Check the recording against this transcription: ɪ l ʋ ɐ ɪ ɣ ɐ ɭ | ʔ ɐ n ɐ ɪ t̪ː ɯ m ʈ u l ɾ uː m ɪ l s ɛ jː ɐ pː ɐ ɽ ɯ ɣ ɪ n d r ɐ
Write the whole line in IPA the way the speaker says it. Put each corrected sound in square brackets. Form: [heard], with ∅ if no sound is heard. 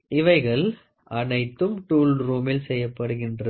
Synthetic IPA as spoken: ɪ [∅] ʋ ɐ ɪ ɣ ɐ ɭ | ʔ ɐ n ɐ ɪ t̪ː ɯ m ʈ [uː] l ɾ uː m ɪ l s ɛ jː ɐ pː ɐ ɽ ɯ ɣ ɪ n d r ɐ